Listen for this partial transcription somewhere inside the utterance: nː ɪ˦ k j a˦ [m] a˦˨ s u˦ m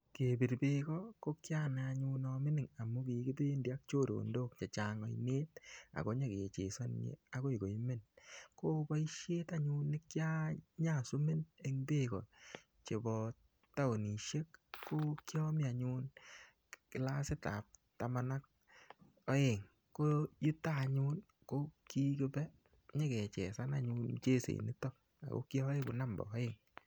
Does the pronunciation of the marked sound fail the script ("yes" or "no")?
yes